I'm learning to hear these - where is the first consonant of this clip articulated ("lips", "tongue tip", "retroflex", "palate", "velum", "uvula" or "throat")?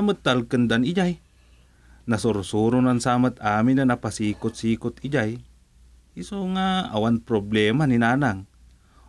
lips